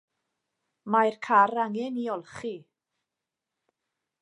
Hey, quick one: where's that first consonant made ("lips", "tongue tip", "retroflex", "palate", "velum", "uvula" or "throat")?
lips